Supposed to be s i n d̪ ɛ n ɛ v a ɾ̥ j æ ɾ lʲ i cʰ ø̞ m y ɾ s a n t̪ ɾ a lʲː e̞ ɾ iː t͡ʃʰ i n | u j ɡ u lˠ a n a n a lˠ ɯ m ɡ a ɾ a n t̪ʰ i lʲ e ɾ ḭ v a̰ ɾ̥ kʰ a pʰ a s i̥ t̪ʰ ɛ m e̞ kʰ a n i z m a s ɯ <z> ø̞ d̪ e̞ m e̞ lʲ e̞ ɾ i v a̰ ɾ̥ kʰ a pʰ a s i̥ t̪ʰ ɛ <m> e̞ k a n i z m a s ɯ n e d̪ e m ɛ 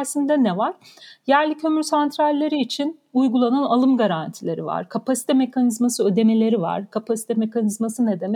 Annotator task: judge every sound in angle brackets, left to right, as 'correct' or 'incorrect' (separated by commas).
incorrect, correct